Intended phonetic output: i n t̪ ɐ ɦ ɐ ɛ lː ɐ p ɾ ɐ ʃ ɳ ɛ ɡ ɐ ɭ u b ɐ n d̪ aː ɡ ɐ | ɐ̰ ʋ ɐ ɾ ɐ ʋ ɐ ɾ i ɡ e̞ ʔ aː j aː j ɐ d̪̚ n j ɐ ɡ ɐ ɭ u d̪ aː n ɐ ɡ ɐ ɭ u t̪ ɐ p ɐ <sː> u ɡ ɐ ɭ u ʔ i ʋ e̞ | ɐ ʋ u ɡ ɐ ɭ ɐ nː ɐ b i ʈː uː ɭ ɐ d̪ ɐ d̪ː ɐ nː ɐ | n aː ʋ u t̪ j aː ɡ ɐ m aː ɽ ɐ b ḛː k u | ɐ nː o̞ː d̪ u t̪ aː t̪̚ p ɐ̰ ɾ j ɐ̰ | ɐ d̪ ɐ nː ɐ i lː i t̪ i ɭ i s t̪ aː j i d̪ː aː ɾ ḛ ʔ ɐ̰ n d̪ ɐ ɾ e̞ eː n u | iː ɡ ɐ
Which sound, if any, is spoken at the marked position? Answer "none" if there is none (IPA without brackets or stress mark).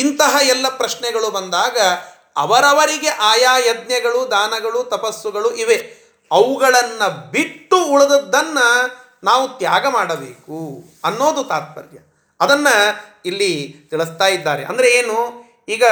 sː